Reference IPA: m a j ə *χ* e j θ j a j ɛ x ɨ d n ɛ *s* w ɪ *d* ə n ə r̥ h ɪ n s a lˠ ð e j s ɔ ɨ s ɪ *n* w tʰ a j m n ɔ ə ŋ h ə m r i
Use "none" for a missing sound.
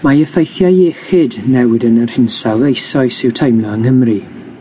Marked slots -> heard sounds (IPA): f, none, d, none

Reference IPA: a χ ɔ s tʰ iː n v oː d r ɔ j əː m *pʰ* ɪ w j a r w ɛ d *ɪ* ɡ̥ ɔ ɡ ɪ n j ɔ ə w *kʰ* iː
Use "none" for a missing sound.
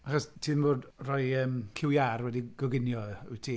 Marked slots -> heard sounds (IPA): kʰ, i, tʰ

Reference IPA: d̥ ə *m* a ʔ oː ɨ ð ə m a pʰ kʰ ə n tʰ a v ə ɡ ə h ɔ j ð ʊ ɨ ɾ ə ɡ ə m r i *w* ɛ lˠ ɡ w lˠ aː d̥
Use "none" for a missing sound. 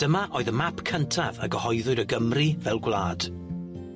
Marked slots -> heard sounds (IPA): m, v

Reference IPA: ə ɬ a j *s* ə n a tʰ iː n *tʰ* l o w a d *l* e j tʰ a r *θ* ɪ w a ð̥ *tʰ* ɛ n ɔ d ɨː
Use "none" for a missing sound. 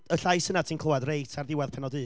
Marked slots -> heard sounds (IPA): s, kʰ, r, ð, pʰ

